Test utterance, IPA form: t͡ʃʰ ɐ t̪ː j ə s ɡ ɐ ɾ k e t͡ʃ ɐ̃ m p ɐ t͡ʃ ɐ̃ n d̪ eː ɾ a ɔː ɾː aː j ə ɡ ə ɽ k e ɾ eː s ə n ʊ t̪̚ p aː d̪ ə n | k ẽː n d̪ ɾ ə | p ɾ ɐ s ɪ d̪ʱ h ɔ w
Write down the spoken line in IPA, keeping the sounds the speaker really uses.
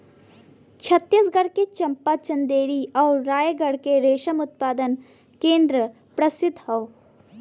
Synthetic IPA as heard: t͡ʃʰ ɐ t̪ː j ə s ɡ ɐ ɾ k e t͡ʃ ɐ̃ m p a t͡ʃ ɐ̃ n d̪ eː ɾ i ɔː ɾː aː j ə ɡ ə ɽ k e ɾ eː ʃ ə m ʊ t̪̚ p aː d̪ ə n | k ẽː n d̪ ɾ ə | p ɾ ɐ s ɪ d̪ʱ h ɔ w